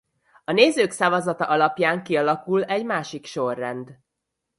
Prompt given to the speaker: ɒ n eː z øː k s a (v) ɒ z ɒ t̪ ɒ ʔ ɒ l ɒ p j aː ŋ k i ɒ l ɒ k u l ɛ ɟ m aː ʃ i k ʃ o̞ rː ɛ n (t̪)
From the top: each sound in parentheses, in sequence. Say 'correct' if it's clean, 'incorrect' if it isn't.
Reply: correct, incorrect: d̪

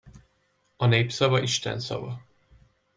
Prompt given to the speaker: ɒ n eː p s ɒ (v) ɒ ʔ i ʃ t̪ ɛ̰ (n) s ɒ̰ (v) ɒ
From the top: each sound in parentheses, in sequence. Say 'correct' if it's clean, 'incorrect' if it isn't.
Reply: correct, correct, correct

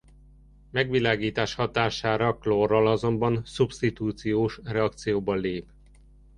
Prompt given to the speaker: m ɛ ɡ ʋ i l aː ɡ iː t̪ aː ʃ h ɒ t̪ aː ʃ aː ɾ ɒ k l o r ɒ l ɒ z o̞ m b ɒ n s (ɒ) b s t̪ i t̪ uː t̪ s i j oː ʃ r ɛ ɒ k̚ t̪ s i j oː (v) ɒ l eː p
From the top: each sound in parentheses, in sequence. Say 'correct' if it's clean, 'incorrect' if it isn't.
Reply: incorrect: u, incorrect: b

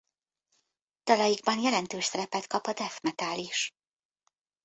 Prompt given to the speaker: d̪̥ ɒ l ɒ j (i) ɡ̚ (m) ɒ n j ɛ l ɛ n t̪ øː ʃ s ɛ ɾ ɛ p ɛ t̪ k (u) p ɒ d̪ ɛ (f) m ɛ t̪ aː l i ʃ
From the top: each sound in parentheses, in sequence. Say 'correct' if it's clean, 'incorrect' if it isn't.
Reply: correct, incorrect: b, incorrect: ɒ, correct

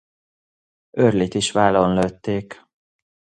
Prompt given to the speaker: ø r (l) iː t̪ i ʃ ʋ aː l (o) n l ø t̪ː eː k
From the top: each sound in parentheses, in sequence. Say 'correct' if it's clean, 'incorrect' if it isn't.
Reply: correct, correct

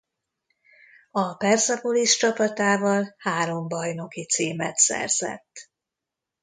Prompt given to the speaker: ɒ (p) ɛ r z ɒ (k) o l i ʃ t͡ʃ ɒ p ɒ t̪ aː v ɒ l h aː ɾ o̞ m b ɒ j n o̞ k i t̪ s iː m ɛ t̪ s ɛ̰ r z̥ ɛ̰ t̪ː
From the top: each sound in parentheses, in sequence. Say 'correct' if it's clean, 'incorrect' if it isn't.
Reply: correct, incorrect: p

